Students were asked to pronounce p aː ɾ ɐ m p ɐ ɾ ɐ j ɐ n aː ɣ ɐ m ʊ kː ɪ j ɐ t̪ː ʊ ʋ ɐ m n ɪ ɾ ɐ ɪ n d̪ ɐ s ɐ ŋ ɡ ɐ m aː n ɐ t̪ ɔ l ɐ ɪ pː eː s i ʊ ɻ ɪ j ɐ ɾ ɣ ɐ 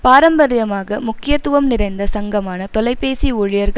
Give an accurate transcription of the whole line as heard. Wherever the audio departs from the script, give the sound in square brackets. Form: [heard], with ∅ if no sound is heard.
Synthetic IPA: p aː ɾ ɐ m [b] ɐ ɾ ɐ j ɐ [m] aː ɣ ɐ m ʊ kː ɪ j ɐ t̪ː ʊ ʋ ɐ m n ɪ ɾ ɐ ɪ n d̪ ɐ s ɐ ŋ ɡ ɐ m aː n ɐ t̪ ɔ l ɐ ɪ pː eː s i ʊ ɻ ɪ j ɐ ɾ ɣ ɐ